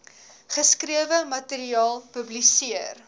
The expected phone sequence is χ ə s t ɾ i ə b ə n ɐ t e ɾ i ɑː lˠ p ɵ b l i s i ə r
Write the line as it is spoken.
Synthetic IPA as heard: χ ə s k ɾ i ə v ə m ɐ t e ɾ i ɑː lˠ p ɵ b l i s i ə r